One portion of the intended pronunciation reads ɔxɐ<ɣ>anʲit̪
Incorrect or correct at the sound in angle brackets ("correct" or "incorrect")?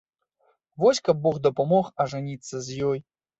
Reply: incorrect